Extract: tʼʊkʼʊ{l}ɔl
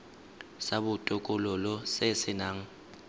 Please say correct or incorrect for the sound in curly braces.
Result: correct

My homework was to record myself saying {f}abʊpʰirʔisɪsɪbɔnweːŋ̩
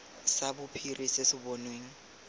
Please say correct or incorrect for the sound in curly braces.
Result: incorrect: s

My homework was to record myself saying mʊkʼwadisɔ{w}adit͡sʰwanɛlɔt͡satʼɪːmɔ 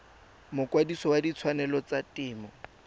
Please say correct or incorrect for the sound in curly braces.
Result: correct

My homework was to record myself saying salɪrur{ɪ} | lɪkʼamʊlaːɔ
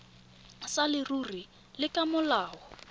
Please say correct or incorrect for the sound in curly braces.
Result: incorrect: i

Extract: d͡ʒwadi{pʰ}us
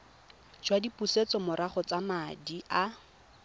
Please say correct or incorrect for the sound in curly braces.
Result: incorrect: p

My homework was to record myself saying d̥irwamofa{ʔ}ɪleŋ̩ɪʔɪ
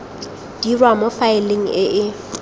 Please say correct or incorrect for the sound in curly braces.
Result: incorrect: none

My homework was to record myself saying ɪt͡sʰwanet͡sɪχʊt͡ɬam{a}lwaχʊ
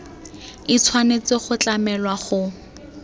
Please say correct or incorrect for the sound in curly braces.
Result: incorrect: ɛ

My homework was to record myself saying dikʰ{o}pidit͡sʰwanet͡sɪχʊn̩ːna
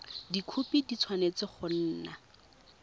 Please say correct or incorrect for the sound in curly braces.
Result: incorrect: u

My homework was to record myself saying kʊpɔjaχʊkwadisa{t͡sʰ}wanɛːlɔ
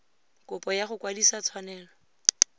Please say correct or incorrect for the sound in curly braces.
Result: correct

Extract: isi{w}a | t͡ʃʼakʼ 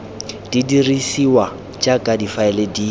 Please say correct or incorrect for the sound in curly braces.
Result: correct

